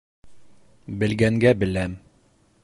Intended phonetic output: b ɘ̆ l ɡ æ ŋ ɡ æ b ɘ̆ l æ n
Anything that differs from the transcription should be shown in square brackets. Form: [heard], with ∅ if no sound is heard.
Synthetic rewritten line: b ɘ̆ l ɡ æ ŋ ɡ æ b ɘ̆ l æ [m]